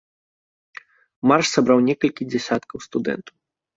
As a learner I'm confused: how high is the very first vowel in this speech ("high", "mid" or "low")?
low